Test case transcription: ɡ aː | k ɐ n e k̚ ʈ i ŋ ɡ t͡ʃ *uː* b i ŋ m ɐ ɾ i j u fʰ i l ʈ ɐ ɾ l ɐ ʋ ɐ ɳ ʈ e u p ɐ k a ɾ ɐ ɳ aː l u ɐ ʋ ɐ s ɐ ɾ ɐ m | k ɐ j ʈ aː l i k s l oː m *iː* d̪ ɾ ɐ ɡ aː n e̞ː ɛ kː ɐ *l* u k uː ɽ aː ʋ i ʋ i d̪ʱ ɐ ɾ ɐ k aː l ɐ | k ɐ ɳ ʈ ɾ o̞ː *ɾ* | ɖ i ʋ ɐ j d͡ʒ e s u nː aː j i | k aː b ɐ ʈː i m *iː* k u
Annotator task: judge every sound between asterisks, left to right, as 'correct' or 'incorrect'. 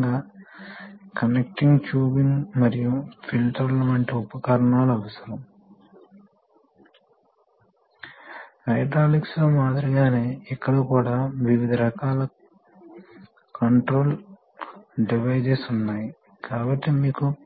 correct, incorrect, incorrect, incorrect, correct

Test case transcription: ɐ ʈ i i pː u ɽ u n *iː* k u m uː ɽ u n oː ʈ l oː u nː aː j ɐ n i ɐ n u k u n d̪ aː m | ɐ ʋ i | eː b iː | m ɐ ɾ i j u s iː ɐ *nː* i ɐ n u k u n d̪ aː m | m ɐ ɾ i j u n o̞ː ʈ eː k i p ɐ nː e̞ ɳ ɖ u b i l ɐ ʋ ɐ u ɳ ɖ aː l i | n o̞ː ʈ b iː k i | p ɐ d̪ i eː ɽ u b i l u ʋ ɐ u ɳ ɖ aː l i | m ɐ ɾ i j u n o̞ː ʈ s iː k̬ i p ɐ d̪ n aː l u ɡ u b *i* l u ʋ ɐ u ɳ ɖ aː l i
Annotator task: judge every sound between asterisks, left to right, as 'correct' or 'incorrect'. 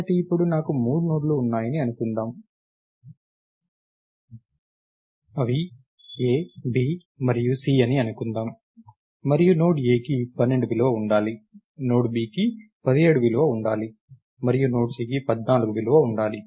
incorrect, incorrect, correct

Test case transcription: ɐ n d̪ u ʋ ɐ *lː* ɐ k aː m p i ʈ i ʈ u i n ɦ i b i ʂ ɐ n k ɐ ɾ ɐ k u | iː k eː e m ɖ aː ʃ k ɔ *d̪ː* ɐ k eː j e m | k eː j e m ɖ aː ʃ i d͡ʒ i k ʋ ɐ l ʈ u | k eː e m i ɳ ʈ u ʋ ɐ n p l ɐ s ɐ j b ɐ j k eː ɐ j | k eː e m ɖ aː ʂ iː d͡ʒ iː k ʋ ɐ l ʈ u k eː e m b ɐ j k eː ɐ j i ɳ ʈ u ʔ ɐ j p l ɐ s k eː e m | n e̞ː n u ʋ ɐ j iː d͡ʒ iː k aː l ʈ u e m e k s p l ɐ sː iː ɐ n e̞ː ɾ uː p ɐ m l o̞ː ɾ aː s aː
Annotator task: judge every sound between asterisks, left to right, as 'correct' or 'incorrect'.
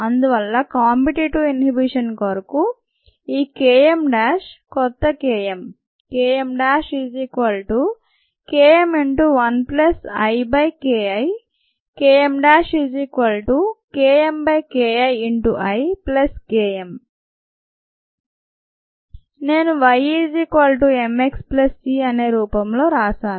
correct, incorrect

